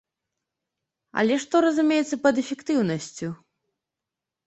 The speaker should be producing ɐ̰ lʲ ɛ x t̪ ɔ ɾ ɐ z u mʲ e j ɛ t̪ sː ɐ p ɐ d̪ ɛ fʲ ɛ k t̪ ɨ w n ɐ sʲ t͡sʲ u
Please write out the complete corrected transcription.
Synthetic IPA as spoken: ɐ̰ lʲ ɛ ʂ t̪ ɔ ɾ ɐ z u mʲ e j ɛ t̪ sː ɐ p ɐ d̪ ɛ fʲ ɛ k t̪ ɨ w n ɐ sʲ t͡sʲ u